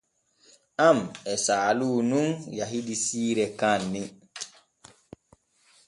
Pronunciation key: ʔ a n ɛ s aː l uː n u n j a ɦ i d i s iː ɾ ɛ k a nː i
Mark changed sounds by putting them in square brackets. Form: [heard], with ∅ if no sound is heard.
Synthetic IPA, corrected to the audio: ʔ a [m] ɛ s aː l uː n u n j a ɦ i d i s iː ɾ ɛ k a nː i